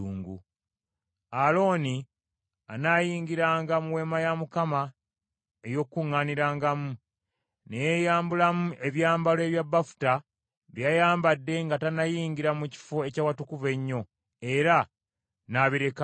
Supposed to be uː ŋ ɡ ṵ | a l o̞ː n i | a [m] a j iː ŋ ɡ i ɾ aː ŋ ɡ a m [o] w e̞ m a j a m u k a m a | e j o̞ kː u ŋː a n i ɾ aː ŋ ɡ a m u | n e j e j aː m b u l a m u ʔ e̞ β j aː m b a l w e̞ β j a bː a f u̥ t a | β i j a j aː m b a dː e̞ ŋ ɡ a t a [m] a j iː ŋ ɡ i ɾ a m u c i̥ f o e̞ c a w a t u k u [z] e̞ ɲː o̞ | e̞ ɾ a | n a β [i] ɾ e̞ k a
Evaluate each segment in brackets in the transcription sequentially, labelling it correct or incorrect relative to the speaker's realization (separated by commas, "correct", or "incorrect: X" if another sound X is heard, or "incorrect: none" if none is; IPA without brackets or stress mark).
incorrect: n, incorrect: u, incorrect: n, incorrect: v, correct